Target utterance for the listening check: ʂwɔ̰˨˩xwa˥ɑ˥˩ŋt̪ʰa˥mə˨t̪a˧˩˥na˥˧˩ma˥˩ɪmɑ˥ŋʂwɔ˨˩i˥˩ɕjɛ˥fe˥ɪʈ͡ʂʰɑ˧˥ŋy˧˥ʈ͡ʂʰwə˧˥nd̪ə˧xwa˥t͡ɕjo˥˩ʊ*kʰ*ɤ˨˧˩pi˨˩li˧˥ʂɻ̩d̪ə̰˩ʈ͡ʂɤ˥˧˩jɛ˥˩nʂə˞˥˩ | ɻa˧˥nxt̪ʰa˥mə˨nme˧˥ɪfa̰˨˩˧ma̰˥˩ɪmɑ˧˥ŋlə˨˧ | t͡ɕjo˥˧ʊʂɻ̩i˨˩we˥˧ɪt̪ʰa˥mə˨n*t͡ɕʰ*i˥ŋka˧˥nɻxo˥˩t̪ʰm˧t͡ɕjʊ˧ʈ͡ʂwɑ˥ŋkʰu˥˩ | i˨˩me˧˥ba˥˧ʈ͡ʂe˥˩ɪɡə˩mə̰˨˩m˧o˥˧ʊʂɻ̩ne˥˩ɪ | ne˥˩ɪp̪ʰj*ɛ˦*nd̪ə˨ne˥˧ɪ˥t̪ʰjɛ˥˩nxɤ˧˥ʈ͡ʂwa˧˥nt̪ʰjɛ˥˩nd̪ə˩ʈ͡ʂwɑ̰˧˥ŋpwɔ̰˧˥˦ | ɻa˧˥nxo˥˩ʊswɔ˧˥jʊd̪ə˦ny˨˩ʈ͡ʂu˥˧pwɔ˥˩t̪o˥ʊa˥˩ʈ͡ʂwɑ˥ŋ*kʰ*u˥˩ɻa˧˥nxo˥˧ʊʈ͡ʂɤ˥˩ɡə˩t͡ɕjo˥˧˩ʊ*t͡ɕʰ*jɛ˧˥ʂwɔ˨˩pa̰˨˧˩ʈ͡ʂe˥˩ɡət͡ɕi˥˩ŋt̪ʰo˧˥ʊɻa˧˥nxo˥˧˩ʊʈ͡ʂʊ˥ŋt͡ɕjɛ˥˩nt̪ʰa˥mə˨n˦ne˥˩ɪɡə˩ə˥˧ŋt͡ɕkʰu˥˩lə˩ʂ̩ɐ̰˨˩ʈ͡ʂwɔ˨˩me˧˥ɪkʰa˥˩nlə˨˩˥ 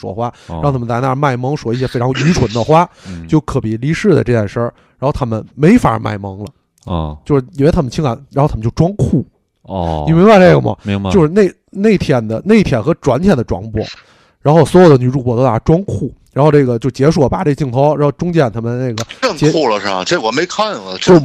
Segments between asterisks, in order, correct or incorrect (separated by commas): correct, correct, incorrect, correct, incorrect